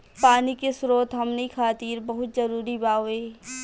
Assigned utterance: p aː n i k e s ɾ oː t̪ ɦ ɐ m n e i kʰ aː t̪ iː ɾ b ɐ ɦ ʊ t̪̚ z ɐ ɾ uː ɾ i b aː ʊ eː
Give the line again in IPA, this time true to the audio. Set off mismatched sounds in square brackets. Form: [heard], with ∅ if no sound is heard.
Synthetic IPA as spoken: p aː n i k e s ɾ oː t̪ ɦ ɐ m n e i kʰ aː t̪ iː ɾ b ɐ ɦ ʊ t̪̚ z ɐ ɾ uː ɾ i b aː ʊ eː